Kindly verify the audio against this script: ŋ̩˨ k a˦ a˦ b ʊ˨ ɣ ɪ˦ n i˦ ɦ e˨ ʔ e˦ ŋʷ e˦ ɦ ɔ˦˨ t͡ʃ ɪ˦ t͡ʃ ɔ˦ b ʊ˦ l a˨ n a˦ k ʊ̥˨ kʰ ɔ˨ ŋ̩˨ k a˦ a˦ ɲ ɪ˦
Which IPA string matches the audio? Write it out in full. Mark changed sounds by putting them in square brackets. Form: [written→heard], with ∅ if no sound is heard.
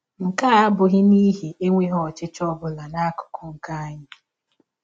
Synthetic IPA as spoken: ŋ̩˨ k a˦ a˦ b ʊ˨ ɣ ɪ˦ n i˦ ɦ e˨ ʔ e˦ ŋʷ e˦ ɦ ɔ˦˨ t͡ʃ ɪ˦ t͡ʃ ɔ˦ b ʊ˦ l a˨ n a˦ k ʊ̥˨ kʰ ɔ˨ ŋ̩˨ k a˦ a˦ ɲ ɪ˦